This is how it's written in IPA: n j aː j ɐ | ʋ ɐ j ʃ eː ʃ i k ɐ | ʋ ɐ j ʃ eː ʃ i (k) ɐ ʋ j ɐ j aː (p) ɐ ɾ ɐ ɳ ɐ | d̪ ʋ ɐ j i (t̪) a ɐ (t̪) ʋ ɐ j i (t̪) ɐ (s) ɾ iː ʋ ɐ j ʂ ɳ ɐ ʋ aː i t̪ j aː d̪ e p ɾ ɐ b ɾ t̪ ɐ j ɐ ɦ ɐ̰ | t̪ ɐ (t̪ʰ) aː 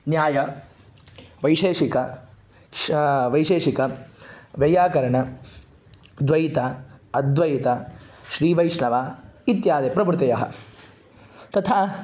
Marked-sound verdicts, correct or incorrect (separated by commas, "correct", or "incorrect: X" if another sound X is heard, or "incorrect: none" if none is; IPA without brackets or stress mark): correct, incorrect: k, correct, incorrect: d̪, correct, incorrect: ʃ, correct